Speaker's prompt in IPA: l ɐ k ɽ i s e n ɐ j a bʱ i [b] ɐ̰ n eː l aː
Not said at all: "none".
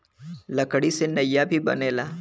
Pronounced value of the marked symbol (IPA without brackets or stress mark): b